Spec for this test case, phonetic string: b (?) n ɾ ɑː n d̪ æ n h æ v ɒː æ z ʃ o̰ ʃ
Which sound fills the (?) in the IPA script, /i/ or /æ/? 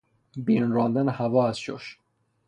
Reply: i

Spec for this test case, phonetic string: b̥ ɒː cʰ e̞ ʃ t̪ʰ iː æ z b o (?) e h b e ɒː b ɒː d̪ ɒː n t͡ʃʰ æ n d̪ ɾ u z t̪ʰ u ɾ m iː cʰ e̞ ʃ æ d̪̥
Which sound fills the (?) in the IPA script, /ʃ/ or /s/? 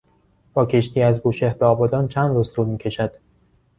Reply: ʃ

